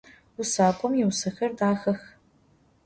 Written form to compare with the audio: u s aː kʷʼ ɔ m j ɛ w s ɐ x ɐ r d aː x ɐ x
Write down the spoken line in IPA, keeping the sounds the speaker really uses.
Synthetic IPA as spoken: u s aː kʷʼ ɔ m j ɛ w s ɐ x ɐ r d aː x ɐ x